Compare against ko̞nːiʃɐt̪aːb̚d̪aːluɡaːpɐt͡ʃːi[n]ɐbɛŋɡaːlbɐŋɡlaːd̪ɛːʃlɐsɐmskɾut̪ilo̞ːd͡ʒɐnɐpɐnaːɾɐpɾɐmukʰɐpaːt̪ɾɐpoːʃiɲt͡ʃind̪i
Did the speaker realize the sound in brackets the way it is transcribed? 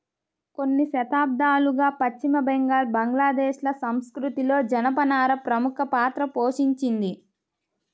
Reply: no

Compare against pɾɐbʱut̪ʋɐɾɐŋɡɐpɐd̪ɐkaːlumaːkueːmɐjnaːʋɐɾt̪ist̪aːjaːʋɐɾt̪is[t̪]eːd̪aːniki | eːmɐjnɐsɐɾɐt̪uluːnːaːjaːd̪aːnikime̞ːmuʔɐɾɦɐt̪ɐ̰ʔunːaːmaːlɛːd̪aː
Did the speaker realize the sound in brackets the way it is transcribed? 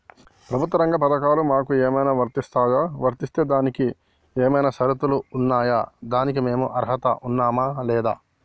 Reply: yes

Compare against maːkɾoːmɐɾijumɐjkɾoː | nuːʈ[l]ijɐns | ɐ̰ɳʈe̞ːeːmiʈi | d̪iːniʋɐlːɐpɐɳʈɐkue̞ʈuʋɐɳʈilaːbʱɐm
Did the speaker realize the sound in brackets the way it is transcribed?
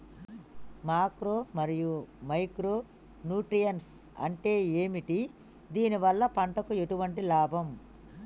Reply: no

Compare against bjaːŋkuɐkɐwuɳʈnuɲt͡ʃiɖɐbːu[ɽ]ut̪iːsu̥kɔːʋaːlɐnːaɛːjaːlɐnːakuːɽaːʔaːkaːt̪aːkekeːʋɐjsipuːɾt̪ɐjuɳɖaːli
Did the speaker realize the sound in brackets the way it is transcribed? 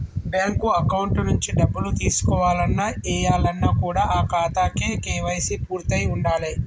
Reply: no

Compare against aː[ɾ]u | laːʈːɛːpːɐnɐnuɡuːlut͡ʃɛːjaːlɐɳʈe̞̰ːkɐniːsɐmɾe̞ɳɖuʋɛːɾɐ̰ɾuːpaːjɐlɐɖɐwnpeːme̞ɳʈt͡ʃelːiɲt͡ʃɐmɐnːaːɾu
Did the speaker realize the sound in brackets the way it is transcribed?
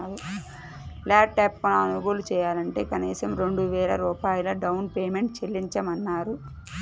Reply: yes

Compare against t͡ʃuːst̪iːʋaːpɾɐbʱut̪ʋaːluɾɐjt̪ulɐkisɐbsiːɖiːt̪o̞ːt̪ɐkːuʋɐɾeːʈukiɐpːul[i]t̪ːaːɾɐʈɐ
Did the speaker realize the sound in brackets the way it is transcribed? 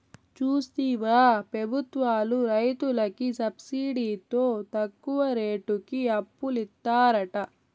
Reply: yes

